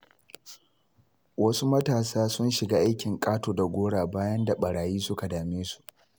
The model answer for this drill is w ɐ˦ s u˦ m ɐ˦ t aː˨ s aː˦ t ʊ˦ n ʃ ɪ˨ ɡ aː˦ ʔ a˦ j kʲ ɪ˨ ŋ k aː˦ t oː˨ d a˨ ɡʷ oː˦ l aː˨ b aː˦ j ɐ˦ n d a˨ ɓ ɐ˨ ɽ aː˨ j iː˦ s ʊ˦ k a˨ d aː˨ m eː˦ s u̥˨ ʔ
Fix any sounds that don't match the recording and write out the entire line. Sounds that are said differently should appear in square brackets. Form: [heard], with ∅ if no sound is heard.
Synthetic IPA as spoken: w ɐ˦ s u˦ m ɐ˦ t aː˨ s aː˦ [s] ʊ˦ n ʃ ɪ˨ ɡ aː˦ ʔ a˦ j kʲ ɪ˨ ŋ [kʼ] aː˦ t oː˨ d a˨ ɡʷ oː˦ [ɽ] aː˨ b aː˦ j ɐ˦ n d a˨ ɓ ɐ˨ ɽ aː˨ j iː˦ s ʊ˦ k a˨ d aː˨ m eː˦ s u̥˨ ʔ